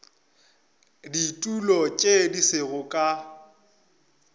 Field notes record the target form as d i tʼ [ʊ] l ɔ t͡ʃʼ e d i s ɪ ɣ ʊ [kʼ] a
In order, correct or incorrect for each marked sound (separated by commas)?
incorrect, correct